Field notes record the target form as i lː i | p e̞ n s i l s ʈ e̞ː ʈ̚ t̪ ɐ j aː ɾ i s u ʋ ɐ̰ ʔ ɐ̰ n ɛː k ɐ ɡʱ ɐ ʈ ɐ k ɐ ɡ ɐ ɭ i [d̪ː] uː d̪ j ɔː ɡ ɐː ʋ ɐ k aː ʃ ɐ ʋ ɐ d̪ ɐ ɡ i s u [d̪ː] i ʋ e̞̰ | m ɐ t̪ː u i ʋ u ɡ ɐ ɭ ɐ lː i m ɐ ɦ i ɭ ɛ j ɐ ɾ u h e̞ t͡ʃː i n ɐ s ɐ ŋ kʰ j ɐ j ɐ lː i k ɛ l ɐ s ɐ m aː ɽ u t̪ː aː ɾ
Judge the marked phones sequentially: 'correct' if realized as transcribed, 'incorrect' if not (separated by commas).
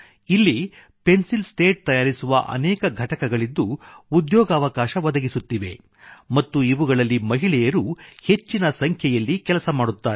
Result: correct, incorrect